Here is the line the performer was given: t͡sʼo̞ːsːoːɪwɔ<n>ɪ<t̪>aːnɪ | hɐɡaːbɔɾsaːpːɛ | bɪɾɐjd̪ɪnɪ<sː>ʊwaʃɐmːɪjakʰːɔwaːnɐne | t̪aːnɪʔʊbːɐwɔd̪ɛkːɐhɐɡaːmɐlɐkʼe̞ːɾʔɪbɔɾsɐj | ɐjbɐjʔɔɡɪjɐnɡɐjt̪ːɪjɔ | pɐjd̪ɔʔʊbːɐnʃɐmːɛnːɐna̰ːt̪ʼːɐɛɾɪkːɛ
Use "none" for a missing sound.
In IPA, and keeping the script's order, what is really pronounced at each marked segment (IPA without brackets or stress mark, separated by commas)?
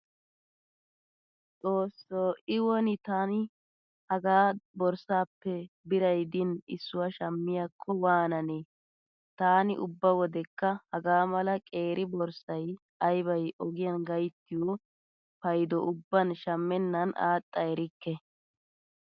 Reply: n, t̪, sː